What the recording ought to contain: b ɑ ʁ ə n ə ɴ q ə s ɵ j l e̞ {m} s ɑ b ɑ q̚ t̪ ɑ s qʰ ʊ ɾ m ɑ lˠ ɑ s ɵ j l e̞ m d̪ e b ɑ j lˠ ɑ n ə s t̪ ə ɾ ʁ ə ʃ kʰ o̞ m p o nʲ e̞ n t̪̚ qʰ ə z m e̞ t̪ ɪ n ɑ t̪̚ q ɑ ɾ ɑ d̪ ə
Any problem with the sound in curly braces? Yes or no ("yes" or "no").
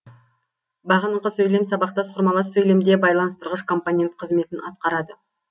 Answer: no